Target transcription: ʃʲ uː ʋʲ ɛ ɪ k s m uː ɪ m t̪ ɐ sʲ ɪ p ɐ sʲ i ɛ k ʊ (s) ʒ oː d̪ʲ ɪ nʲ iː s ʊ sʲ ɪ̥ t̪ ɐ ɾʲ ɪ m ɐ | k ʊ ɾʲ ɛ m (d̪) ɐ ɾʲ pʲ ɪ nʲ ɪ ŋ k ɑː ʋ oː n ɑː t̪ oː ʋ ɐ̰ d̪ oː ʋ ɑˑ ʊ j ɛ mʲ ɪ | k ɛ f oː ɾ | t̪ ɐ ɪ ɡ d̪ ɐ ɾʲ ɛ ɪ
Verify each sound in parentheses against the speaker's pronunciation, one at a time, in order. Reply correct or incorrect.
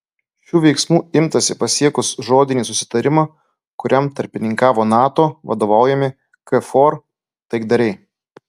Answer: correct, incorrect: t̪

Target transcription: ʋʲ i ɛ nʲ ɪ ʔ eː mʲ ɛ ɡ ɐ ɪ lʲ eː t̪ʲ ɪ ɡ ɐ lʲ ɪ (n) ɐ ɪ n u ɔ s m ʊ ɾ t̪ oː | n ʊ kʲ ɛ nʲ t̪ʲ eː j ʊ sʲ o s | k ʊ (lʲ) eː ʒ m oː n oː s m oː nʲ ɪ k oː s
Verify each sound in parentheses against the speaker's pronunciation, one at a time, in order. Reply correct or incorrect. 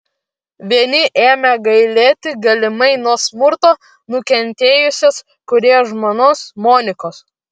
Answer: incorrect: m, incorrect: ɾʲ

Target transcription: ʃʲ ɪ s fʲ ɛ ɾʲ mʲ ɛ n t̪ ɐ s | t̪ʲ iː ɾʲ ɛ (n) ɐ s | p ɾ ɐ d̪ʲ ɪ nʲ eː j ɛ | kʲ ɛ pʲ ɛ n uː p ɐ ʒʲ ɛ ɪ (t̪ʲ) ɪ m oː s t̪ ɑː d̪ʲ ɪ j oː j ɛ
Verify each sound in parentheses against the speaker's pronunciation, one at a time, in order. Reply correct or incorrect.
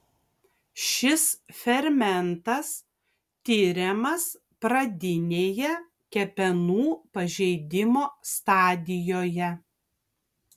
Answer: incorrect: m, incorrect: d̪ʲ

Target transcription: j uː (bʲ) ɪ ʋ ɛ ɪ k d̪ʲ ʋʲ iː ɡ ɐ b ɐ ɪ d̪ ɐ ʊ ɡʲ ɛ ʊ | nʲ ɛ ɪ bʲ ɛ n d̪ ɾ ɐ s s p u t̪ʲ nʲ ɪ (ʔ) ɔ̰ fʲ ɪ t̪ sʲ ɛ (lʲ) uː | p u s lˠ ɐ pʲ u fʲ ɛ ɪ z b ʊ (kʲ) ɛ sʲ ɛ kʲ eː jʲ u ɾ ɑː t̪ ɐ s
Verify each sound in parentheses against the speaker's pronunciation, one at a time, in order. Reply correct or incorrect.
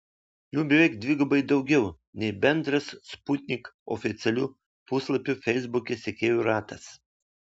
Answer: correct, incorrect: k, correct, correct

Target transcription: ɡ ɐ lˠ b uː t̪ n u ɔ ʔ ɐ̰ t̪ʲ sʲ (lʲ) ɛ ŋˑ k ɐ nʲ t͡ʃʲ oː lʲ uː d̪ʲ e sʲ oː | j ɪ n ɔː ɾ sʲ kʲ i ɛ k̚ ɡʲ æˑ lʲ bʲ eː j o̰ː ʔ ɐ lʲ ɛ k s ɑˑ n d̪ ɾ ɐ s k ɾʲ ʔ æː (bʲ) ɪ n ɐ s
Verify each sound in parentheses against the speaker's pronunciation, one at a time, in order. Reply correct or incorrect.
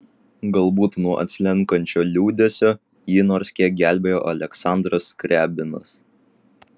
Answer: correct, correct

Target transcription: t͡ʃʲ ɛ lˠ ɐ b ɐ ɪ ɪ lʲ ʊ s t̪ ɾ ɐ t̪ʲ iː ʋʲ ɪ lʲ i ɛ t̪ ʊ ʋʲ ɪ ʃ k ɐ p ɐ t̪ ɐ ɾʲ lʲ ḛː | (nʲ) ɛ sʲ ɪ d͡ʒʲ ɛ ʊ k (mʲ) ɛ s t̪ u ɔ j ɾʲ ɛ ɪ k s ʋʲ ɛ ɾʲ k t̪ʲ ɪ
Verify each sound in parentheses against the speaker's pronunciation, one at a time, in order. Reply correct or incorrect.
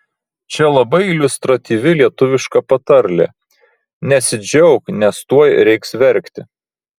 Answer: correct, incorrect: nʲ

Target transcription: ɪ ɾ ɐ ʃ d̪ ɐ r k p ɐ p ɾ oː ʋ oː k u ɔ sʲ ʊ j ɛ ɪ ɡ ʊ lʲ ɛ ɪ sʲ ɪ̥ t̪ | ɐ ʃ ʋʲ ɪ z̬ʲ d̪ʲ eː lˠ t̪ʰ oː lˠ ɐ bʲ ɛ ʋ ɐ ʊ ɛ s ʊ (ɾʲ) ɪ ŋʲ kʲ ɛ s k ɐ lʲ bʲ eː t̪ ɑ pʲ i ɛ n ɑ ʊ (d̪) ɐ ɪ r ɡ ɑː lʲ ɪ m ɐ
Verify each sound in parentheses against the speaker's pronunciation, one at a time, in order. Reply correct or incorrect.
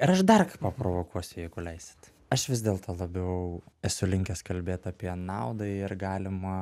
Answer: incorrect: lʲ, correct

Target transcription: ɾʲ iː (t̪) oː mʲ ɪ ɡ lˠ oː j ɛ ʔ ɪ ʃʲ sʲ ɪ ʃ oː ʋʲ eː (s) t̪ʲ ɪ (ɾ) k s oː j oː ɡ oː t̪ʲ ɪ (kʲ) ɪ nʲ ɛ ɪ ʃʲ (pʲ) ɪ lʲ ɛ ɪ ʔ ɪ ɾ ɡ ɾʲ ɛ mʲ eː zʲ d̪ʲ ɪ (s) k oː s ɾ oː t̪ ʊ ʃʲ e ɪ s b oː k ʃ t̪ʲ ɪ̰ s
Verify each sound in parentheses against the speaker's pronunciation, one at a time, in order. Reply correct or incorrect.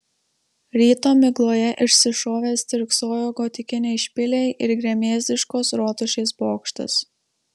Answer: correct, correct, correct, correct, correct, incorrect: ʃ

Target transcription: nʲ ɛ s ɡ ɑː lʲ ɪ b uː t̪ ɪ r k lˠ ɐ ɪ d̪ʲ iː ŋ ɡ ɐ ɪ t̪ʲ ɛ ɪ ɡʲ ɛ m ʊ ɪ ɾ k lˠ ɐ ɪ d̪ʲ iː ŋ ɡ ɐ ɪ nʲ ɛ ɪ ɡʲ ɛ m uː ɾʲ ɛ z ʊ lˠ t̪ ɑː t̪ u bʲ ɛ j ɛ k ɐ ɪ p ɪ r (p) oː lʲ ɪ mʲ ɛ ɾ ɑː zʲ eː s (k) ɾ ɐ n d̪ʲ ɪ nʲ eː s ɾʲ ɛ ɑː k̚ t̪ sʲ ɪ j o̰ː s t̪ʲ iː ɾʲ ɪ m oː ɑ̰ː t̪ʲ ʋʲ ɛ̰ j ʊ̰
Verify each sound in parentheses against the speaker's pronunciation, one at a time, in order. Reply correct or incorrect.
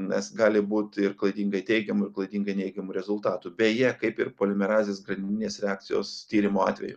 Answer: correct, incorrect: ɡ

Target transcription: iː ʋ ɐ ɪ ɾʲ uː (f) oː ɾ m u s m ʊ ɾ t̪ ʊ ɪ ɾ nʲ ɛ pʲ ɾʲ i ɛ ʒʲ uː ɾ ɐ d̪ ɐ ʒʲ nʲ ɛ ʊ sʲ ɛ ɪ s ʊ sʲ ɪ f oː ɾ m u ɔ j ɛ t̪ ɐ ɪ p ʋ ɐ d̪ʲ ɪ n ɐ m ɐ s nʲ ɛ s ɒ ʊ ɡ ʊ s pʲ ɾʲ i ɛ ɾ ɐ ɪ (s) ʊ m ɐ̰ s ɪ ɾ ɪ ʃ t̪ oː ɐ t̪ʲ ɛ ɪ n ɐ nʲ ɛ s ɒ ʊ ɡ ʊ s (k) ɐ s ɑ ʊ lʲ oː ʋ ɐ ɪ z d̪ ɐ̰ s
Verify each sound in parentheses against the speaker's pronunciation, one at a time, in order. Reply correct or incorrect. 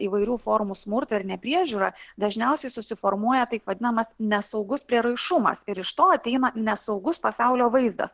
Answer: correct, incorrect: ʃ, incorrect: p

